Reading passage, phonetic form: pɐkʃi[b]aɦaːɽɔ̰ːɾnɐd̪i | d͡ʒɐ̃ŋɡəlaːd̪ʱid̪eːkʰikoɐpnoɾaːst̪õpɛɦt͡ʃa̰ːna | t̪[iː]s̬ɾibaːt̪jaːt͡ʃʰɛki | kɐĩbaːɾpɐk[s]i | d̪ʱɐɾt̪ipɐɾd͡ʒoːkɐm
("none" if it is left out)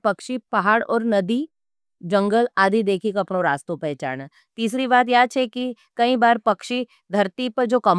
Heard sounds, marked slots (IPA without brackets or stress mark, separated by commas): p, iː, ʃ